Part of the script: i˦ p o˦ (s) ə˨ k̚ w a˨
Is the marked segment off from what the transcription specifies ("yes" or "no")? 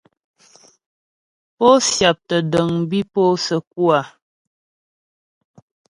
no